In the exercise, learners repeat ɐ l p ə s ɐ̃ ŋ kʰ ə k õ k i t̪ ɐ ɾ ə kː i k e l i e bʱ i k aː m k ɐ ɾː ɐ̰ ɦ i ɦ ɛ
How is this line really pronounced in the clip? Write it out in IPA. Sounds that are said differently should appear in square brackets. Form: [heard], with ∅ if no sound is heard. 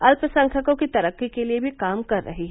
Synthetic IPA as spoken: ɐ l p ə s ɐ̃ ŋ kʰ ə k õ k i t̪ ɐ ɾ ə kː i k e l i e bʱ i k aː m k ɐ ɾː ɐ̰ ɦ i ɦ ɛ